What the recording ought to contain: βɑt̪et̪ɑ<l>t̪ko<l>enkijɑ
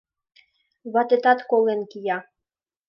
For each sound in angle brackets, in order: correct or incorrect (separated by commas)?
incorrect, correct